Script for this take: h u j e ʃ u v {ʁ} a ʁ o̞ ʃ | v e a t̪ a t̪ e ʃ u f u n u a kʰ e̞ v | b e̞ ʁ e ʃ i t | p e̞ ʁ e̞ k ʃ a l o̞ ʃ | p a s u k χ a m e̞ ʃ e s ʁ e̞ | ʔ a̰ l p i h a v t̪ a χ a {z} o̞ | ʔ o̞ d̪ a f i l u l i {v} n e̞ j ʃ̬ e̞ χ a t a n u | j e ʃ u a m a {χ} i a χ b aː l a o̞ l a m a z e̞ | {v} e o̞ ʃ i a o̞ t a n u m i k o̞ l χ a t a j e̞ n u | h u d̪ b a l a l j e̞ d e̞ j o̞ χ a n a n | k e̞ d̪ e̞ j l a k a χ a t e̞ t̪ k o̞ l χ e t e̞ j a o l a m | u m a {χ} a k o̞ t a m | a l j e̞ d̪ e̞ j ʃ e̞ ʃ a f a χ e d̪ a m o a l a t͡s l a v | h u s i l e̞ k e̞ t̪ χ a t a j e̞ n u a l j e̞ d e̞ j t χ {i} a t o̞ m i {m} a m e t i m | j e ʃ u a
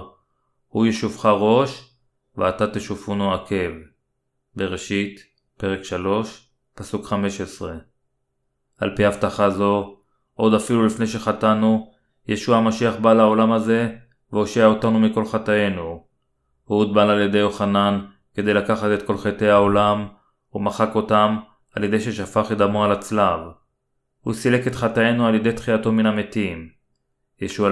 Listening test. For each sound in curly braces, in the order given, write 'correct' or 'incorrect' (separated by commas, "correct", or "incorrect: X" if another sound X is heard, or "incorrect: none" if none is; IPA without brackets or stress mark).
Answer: incorrect: χ, correct, incorrect: f, incorrect: ʃ, correct, correct, correct, incorrect: n